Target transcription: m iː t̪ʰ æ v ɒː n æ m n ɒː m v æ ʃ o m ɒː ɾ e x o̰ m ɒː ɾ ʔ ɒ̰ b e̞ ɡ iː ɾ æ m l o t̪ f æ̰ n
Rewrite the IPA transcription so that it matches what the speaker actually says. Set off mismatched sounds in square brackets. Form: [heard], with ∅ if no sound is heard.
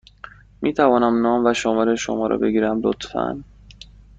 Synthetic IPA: m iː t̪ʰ æ v ɒː n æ m n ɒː m v æ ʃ o m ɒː ɾ e [ʃ] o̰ m ɒː ɾ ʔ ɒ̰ b e̞ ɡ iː ɾ æ m l o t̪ f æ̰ n